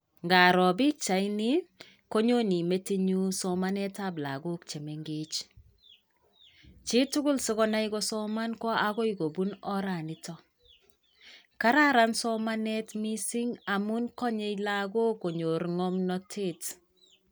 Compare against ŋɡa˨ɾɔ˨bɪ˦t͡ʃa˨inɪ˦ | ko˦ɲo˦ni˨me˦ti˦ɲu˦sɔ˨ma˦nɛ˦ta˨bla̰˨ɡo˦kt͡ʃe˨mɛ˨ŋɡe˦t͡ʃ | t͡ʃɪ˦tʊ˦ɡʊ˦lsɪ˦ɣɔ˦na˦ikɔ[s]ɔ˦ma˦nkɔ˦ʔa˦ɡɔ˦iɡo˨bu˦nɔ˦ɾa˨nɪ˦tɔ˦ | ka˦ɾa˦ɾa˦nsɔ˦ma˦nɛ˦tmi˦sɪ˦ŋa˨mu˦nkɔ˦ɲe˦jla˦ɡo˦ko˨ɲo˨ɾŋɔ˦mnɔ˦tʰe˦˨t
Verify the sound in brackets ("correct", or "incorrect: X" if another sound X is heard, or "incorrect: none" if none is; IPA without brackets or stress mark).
correct